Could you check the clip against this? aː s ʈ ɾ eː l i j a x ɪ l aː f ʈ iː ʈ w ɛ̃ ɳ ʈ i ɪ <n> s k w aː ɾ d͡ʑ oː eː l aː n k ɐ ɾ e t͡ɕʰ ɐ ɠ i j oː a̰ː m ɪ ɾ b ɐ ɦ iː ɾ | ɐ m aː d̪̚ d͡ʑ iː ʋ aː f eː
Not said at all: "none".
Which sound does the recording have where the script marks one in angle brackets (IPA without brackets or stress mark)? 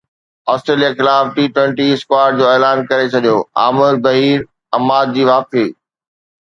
none